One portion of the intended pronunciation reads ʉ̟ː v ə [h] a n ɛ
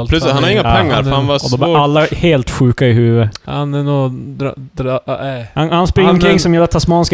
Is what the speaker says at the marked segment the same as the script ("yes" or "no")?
yes